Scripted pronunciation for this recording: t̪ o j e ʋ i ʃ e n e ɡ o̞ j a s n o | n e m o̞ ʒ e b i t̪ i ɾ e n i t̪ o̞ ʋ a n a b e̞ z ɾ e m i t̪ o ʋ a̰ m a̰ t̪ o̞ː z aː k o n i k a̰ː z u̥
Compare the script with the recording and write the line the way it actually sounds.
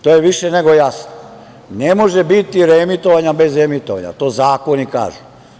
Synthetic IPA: t̪ o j e ʋ i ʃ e n e ɡ o̞ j a s n o | n e m o̞ ʒ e b i t̪ i ɾ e m i t̪ o̞ ʋ a ɲ a b e̞ z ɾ e m i t̪ o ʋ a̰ ɲ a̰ t̪ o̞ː z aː k o n i k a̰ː ʒ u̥

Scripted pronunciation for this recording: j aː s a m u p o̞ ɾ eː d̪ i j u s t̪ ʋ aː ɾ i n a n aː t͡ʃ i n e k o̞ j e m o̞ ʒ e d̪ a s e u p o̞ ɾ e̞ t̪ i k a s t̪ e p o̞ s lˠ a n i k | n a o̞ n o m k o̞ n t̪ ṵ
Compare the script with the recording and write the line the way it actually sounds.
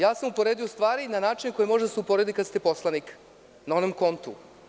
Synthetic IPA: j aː s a m u p o̞ ɾ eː d̪ i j o s t̪ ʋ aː ɾ i n a n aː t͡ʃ i n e k o̞ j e m o̞ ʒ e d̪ a s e u p o̞ ɾ e̞ d̪ i k a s t̪ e p o̞ s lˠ a n i k | n a o̞ n o m k o̞ n t̪ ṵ

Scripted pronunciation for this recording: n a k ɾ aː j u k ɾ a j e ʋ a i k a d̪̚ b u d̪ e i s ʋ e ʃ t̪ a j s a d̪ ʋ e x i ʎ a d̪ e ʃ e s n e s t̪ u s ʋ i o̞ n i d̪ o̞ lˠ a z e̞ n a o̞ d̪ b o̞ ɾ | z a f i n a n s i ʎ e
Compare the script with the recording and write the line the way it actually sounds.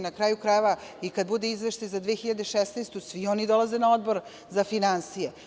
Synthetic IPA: n a k ɾ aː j u k ɾ a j e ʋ a i k a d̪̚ b u d̪ e i z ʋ e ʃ t̪ a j z a d̪ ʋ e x i ʎ a d̪ e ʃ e s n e s t̪ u s ʋ i o̞ n i d̪ o̞ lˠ a z e̞ n a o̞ d̪ b o̞ ɾ | z a f i n a n s i j e

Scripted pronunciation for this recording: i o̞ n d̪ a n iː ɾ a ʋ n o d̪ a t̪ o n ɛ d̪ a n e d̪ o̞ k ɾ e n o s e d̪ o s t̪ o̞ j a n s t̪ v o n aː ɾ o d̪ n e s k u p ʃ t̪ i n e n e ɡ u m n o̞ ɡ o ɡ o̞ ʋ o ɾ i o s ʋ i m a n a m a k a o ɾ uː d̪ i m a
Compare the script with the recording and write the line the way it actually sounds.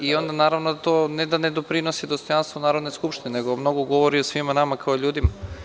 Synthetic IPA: i o̞ n d̪ a n aː ɾ a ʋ n o d̪ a t̪ o n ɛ d̪ a n e d̪ o̞ p ɾ i n o s i d̪ o s t̪ o̞ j a n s t̪ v o n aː ɾ o d̪ n e s k u p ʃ t̪ i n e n e ɡ o m n o̞ ɡ o ɡ o̞ ʋ o ɾ i o s ʋ i m a n a m a k a o ʎ uː d̪ i m a

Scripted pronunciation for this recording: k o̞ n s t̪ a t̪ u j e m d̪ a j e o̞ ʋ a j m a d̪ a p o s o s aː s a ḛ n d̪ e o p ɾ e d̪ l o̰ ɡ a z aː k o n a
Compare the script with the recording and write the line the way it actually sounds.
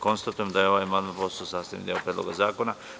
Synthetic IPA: k o̞ n s t̪ a t̪ u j e m d̪ a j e o̞ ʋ a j m a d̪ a p o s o s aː s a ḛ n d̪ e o p ɾ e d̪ l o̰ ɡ a z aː k o n a

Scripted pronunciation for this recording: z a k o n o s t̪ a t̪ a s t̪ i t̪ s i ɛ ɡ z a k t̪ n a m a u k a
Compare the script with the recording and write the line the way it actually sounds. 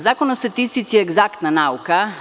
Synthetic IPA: z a k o n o s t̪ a t̪ i s t̪ i t̪ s i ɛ ɡ z a k t̪ n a n a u k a

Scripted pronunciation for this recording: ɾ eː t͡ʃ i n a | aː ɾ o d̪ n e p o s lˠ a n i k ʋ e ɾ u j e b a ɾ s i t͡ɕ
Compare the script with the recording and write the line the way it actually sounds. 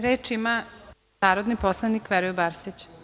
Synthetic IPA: ɾ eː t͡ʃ i m a | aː ɾ o d̪ n i p o s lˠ a n i k ʋ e ɾ u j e b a ɾ s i t͡ɕ

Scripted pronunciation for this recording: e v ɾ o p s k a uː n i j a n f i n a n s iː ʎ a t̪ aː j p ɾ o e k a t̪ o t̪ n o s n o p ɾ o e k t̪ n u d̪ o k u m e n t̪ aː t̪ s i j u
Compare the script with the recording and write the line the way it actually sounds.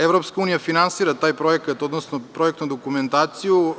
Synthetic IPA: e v ɾ o p s k a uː n i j a f i n a n s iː ɾ a t̪ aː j p ɾ o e k a t̪ o d̪ n o s n o p ɾ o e k t̪ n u d̪ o k u m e n t̪ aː t̪ s i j u

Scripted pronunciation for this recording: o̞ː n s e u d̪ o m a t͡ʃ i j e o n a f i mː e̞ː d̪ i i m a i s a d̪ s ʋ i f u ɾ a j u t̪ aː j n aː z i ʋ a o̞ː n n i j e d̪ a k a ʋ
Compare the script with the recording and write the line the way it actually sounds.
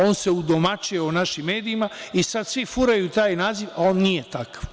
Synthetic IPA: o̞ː n s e u d̪ o m a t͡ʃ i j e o n a ʃ i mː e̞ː d̪ i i m a i s a d̪ s ʋ i f u ɾ a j u t̪ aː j n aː z i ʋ a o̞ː n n i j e t̪ a k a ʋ

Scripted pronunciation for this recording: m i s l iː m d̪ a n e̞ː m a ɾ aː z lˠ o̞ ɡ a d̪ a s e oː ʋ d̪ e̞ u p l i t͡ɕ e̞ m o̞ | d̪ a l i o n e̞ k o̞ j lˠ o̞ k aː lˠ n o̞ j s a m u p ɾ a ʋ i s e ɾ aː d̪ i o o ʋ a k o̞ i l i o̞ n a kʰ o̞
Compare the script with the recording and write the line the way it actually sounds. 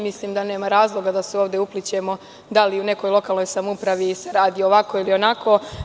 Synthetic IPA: m i s l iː m d̪ a n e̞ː m a ɾ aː z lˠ o̞ ɡ a d̪ a s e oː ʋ d̪ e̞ u p l i t͡ɕ e̞ m o̞ | d̪ a l i u n e̞ k o̞ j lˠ o̞ k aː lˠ n o̞ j s a m u p ɾ a ʋ i s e ɾ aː d̪ i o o ʋ a k o̞ i l i o̞ n a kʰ o̞

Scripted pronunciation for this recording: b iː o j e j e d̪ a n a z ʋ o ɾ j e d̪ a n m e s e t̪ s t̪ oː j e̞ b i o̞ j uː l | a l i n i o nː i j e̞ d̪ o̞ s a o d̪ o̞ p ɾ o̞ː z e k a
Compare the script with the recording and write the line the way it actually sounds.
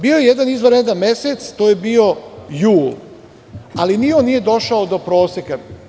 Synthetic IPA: b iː o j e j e d̪ a n i z ʋ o ɾ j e d̪ a n m e s e t̪ s t̪ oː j e̞ b i o̞ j uː l | a l i n i o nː i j e̞ d̪ o̞ ʃ a o d̪ o̞ p ɾ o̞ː s e k a

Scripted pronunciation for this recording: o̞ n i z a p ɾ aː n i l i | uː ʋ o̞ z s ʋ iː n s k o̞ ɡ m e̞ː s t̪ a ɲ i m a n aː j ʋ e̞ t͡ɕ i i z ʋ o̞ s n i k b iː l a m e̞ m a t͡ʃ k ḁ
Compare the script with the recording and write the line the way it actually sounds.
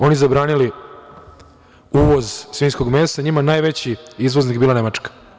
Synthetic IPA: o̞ n i z a b ɾ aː n i l i | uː ʋ o̞ z s ʋ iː n s k o̞ ɡ m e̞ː s t̪ a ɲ i m a n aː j ʋ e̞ t͡ɕ i i z ʋ o̞ z n i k b iː l a n e̞ m a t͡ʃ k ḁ

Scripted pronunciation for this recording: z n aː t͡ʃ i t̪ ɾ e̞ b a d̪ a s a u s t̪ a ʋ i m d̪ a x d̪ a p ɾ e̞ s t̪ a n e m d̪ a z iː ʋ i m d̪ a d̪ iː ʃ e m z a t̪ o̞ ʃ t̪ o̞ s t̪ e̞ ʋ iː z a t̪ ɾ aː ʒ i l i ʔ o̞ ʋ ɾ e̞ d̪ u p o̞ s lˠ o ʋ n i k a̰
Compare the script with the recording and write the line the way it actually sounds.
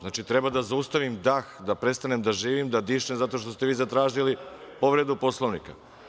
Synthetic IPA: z n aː t͡ʃ i t̪ ɾ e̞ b a d̪ a z a u s t̪ a ʋ i m d̪ a x d̪ a p ɾ e̞ s t̪ a n e m d̪ a ʒ iː ʋ i m d̪ a d̪ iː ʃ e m z a t̪ o̞ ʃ t̪ o̞ s t̪ e̞ ʋ iː z a t̪ ɾ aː ʒ i l i p o̞ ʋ ɾ e̞ d̪ u p o̞ s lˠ o ʋ n i k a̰

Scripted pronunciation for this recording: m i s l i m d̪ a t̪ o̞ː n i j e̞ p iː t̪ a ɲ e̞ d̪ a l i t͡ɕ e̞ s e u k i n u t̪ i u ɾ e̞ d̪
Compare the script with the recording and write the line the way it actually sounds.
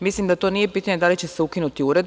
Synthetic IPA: m i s l i m d̪ a t̪ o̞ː n i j e̞ p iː t̪ a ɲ e̞ d̪ a l i t͡ɕ e̞ s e u k i n u t̪ i u ɾ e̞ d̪

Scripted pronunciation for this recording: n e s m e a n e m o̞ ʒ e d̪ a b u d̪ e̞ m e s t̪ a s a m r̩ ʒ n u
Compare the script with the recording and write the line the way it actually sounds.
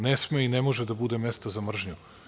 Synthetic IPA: n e s m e i n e m o̞ ʒ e d̪ a b u d̪ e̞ m e s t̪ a z a m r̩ ʒ ɲ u

